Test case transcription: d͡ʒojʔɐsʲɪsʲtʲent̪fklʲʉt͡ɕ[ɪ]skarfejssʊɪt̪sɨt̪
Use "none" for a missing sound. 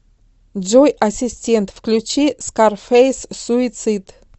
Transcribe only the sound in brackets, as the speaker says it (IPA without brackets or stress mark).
i